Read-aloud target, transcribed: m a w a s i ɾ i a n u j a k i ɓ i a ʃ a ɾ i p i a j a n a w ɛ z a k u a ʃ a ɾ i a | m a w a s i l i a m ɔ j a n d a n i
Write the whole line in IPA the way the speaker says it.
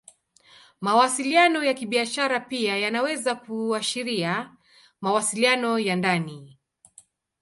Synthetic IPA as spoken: m a w a s i l i a n ɔ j a k i ɓ i a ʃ a ɾ a p i a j a n a w ɛ z a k u a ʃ i ɾ i a | m a w a s i l i a n ɔ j a n d a n i